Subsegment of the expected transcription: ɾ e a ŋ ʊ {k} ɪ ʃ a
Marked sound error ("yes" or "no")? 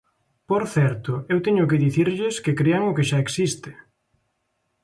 no